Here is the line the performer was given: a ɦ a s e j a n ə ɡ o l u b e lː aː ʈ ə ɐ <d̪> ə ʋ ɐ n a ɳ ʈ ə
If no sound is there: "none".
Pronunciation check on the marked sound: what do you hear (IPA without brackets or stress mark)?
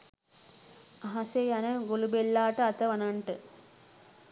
t̪